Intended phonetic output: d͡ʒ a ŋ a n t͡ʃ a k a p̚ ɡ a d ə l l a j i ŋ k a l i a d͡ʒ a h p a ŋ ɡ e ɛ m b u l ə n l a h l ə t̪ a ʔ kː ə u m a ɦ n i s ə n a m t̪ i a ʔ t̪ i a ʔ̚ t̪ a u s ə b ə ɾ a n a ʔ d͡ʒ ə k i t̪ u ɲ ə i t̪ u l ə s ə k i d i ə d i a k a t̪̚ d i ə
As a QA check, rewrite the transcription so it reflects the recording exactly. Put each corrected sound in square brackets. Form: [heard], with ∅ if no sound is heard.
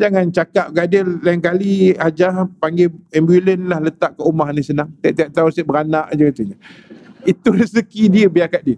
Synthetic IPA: d͡ʒ a ŋ a n t͡ʃ a k a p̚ ɡ a d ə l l a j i ŋ k a l i a d͡ʒ a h p a ŋ ɡ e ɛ m b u l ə n l a h l ə t̪ a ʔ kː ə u m a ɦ n i s ə n a [ŋ] t̪ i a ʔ t̪ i a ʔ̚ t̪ a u s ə b ə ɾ a n a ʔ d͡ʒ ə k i t̪ u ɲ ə i t̪ u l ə s ə k i d i ə [b] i a k a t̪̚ d i ə